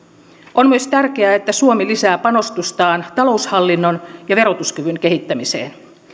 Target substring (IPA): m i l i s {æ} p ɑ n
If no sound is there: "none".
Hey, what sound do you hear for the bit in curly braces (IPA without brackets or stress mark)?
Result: æː